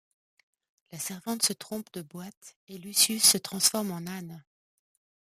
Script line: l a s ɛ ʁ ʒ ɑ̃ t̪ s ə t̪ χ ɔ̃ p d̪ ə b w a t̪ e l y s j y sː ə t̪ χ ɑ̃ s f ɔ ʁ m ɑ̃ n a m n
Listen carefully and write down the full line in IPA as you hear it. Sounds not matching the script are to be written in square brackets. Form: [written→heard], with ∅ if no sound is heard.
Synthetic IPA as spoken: l a s ɛ ʁ [ʒ→v] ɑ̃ t̪ s ə t̪ χ ɔ̃ p d̪ ə b w a t̪ e l y s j y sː ə t̪ χ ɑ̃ s f ɔ ʁ m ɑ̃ n a [m→∅] n